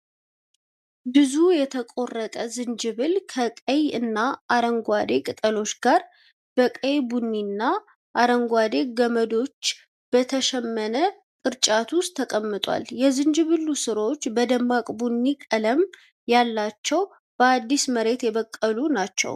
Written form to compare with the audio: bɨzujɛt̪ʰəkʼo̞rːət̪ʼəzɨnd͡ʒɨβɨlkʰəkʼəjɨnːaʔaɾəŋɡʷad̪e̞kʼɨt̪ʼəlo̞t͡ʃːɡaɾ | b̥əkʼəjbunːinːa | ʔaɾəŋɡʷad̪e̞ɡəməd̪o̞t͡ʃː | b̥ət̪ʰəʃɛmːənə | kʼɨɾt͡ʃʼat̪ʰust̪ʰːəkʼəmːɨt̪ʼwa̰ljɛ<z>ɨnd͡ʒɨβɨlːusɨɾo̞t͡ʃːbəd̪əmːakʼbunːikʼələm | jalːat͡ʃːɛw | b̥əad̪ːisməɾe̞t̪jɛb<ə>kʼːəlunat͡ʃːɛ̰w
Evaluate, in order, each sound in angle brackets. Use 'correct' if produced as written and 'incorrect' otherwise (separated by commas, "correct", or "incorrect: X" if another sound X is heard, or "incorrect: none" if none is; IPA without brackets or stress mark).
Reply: correct, correct